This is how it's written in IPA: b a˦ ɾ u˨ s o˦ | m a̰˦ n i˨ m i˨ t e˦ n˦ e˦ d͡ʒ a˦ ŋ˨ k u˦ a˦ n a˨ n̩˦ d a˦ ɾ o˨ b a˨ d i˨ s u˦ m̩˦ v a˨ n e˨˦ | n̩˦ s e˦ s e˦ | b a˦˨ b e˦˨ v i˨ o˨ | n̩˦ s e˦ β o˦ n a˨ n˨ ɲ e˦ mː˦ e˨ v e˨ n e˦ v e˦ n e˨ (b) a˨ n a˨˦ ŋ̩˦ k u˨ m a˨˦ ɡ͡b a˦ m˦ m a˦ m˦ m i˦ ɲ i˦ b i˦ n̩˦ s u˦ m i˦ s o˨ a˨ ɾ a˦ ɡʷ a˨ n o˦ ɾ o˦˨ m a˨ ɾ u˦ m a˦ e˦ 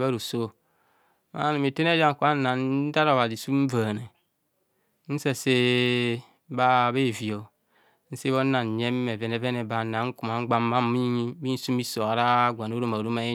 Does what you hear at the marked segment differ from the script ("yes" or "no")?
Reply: no